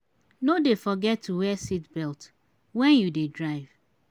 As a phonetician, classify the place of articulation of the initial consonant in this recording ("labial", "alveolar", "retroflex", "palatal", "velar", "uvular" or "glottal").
alveolar